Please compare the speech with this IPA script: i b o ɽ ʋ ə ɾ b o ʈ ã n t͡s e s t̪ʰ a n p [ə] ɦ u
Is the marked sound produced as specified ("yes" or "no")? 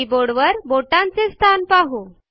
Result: no